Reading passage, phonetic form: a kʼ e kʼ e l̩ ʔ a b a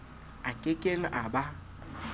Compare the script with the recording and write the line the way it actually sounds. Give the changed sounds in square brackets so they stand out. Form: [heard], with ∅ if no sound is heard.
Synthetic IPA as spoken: a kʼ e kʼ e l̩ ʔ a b a

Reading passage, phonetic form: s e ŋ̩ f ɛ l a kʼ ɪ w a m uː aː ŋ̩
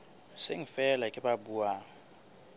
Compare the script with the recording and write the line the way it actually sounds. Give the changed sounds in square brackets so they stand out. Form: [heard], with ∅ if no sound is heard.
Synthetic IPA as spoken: s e ŋ̩ f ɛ l a kʼ ɪ [b] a [b] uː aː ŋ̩

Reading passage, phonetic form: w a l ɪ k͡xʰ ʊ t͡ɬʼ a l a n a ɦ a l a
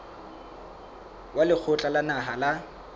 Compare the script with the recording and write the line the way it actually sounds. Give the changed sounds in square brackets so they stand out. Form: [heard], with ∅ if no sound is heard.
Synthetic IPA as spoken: w a l ɪ k͡xʰ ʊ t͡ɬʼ a l a n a ɦ a l a

